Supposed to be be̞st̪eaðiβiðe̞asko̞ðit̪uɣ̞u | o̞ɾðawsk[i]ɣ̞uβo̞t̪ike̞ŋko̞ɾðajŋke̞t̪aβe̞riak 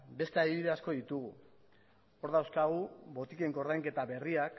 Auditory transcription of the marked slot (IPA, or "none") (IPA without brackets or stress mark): a